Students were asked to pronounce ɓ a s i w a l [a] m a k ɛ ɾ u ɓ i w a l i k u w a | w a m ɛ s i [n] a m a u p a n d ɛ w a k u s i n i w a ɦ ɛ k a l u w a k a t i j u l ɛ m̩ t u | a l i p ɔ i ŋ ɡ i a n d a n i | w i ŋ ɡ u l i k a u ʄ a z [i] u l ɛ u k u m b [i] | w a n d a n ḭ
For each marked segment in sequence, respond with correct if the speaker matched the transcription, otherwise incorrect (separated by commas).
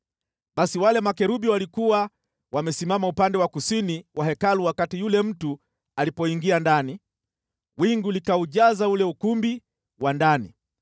incorrect, incorrect, incorrect, correct